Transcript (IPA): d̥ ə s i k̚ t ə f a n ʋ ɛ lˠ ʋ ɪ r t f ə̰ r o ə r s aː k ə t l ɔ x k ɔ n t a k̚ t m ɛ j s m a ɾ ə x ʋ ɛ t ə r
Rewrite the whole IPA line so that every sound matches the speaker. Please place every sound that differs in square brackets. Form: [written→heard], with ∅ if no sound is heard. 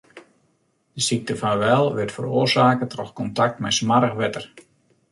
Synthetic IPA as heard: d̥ ə s i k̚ t ə f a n ʋ ɛ lˠ ʋ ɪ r t f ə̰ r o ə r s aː k ə t [l→r] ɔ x k ɔ n t a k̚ t m ɛ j s m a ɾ ə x ʋ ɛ t ə r